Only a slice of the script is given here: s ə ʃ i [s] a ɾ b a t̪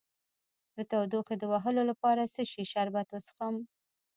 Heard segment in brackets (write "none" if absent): ʃ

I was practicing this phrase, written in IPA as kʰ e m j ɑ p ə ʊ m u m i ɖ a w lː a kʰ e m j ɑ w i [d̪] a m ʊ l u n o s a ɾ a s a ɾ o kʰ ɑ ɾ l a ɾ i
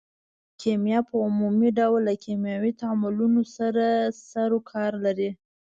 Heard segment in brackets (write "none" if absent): t̪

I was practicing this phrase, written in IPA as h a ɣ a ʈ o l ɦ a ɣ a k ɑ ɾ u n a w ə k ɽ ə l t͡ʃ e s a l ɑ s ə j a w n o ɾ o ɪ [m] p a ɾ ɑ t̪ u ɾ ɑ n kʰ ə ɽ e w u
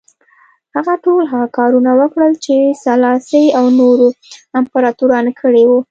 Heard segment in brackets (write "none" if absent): m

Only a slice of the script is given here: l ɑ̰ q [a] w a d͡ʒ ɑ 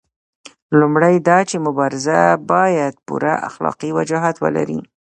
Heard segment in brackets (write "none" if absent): i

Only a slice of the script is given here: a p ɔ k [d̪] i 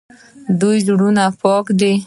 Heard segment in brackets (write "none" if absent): d̪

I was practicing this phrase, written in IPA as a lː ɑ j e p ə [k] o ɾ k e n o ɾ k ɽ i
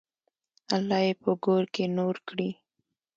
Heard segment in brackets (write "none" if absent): ɡ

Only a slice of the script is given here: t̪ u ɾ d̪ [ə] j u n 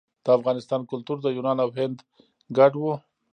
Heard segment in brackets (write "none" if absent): ə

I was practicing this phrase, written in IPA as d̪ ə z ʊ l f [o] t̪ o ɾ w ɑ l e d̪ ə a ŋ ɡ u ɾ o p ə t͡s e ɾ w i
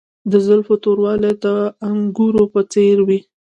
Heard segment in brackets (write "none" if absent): o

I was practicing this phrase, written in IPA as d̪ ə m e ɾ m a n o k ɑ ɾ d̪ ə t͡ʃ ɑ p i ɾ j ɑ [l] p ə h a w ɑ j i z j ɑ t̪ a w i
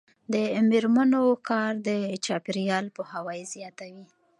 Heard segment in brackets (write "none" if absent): l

